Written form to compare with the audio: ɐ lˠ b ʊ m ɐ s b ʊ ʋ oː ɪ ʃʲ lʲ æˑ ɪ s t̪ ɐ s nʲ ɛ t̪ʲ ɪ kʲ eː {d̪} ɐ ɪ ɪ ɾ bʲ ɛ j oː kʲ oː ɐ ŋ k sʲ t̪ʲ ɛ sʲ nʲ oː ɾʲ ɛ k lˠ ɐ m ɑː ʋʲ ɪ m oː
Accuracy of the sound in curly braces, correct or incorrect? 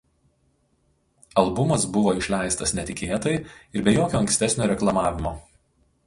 incorrect